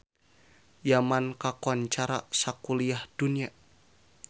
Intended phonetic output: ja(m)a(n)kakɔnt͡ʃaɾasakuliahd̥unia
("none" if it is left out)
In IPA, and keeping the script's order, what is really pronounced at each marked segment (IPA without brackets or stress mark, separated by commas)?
m, n